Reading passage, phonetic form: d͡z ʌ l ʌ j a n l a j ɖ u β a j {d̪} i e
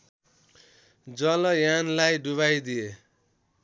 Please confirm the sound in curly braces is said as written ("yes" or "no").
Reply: yes